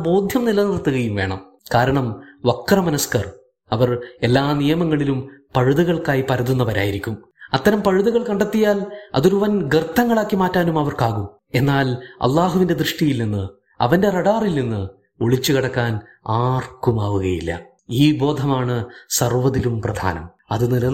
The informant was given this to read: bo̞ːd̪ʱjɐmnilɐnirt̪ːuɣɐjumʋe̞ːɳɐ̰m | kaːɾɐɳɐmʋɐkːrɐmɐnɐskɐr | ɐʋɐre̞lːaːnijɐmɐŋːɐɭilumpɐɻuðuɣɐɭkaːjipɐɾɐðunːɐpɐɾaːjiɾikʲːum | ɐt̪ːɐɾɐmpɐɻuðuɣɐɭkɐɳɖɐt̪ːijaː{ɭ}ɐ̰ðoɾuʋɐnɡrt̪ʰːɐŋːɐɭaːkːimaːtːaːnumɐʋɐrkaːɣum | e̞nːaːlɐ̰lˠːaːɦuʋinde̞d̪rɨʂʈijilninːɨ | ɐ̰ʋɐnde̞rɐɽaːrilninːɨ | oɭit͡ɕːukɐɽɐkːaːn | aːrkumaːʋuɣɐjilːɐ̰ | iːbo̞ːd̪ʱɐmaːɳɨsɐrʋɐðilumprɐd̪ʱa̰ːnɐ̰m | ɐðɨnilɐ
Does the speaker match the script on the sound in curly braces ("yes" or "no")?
no